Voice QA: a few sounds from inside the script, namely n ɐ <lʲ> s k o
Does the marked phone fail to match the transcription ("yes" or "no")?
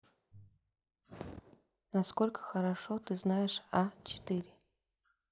yes